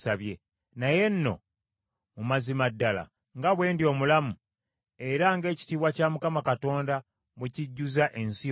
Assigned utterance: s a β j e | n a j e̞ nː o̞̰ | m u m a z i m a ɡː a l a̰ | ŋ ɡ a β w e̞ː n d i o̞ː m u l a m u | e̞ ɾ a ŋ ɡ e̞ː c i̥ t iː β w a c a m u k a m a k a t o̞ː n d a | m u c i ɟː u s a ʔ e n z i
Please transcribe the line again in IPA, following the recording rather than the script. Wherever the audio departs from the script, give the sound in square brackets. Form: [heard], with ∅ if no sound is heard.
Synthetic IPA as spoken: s a β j e | n a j e̞ nː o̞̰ | m u m a z i m a [dː] a l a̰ | ŋ ɡ a β w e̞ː n d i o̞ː m u l a m u | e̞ ɾ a ŋ ɡ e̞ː c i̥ t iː β w a c a m u k a m a k a t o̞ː n d a | m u c i ɟː u [z] a ʔ e n [s] i